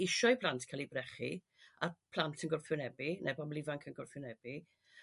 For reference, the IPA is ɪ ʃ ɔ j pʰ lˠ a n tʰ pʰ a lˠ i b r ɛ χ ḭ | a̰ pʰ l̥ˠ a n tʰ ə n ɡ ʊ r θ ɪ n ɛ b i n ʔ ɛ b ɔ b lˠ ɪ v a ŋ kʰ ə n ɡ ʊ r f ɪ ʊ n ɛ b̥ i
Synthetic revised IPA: ɪ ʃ ɔ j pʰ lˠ a n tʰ kʰ a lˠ i b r ɛ χ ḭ | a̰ pʰ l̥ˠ a n tʰ ə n ɡ ʊ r f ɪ n ɛ b i n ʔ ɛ b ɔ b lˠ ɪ v a ŋ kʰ ə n ɡ ʊ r f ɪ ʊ n ɛ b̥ i